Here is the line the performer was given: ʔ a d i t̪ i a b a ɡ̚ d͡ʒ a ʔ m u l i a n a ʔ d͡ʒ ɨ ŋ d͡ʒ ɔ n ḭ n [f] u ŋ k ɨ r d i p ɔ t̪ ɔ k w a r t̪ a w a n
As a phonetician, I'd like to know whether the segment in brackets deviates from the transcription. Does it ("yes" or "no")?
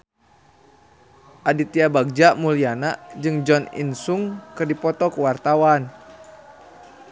yes